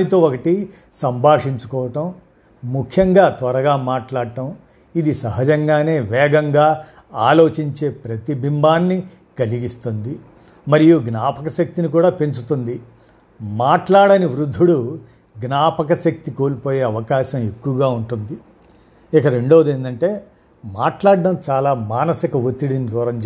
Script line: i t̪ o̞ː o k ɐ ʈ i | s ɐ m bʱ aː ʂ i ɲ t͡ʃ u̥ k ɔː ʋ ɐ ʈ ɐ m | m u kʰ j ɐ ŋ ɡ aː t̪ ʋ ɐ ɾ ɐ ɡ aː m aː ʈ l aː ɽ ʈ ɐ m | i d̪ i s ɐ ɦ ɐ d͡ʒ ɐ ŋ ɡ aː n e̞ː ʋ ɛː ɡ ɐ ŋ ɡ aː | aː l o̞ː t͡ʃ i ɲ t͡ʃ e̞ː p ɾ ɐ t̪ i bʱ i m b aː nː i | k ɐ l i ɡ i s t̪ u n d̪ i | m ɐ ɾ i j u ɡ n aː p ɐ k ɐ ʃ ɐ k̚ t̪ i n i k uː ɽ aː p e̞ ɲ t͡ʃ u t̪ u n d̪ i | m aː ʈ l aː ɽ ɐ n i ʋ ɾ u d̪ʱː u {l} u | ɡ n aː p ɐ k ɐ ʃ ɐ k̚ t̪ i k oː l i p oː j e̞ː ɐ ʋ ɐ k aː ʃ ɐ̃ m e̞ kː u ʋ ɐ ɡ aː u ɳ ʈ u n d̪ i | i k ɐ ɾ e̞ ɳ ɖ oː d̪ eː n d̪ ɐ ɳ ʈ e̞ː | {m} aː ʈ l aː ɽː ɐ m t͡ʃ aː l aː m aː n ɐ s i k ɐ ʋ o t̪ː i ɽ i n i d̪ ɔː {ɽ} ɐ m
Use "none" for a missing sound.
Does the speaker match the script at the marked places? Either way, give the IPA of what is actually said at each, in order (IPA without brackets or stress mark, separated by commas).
ɽ, m, ɾ